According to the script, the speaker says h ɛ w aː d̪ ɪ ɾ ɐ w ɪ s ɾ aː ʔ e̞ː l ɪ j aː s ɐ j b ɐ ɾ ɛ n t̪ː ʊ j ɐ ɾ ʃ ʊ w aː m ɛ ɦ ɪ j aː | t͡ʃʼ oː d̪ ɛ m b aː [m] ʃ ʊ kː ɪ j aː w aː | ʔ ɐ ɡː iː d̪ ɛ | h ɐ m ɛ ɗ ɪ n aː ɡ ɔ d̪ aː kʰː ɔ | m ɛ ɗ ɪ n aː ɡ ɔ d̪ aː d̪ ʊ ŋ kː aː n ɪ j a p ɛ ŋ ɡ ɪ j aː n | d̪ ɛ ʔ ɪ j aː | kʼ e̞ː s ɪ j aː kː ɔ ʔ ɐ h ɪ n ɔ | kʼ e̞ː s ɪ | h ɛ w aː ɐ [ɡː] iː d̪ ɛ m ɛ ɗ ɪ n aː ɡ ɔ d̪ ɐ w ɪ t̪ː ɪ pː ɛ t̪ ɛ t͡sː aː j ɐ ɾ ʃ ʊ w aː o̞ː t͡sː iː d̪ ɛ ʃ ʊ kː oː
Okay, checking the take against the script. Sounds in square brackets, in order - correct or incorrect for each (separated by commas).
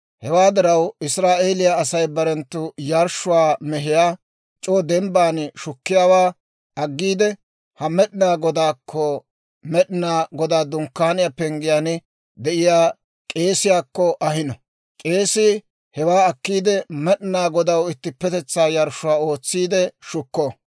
incorrect, incorrect